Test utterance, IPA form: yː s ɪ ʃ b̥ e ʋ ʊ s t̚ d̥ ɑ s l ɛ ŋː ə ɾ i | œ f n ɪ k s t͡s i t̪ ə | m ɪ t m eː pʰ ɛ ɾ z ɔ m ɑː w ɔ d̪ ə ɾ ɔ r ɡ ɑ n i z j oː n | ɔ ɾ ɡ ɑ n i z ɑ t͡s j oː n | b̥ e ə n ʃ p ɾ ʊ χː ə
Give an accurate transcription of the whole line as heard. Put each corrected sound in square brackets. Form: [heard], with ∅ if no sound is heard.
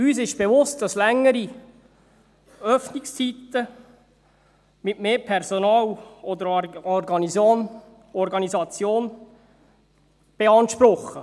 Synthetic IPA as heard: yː s ɪ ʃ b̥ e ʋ ʊ s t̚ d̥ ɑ s l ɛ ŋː ə ɾ i | œ f n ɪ k s t͡s i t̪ ə | m ɪ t m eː pʰ ɛ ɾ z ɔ [n] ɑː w ɔ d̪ ə ɾ ɔ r ɡ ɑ n i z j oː n | ɔ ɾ ɡ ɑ n i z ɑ t͡s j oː n | b̥ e [ɑ] n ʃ p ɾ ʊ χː ə